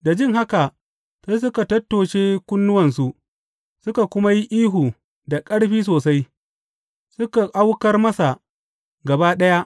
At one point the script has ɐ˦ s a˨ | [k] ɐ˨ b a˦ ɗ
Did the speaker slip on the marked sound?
yes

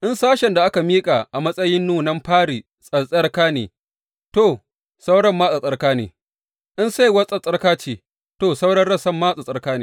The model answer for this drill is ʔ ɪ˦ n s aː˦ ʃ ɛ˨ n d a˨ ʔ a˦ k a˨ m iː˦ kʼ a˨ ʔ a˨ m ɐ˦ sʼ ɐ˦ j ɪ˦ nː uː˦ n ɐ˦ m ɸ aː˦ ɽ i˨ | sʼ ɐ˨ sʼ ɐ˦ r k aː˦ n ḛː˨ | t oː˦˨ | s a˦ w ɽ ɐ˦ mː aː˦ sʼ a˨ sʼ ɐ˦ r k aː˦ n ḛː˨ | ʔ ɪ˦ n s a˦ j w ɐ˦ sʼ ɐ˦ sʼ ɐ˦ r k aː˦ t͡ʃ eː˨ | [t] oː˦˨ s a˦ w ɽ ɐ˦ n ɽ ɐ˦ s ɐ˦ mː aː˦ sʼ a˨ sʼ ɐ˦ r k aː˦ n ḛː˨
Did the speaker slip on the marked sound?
no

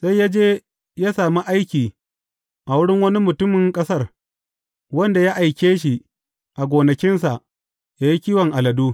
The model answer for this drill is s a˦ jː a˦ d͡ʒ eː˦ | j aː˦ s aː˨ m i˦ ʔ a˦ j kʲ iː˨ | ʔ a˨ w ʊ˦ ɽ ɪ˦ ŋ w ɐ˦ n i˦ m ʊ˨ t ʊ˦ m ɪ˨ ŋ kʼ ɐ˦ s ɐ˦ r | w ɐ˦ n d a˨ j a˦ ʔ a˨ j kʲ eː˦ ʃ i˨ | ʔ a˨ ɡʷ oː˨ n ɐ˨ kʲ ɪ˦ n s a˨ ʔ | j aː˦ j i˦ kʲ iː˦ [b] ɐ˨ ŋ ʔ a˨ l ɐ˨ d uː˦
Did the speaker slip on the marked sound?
yes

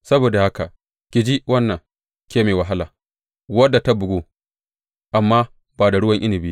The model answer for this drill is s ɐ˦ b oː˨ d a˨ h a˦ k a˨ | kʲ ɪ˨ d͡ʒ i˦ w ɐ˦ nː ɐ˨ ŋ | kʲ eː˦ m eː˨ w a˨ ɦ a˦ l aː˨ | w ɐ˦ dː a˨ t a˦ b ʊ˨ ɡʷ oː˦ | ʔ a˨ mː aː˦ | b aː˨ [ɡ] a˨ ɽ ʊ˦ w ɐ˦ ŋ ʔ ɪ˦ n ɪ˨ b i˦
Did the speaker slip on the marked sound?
yes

